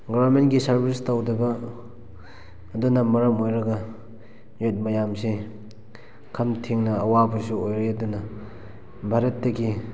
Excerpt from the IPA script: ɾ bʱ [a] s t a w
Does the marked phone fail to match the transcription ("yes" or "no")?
yes